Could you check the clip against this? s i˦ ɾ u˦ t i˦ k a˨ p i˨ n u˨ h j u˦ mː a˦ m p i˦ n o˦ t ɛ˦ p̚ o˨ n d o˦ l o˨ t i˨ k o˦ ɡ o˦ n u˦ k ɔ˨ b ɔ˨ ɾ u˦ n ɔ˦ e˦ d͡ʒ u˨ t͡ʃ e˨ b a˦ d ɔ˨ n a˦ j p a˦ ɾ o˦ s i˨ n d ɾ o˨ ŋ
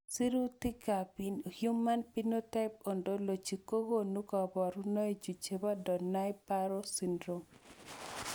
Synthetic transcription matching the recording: s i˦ ɾ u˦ t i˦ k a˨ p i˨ n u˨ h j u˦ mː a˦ n p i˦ n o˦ t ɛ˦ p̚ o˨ n d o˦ l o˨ t͡ʃ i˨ k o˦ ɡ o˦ n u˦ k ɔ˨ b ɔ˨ ɾ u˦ n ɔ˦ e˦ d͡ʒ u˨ t͡ʃ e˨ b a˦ d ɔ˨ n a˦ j p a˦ ɾ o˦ s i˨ n d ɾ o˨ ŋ